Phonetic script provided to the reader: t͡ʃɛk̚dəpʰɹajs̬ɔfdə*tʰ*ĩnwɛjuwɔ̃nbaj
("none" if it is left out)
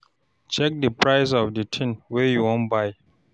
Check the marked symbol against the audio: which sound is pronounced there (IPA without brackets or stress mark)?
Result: tʰ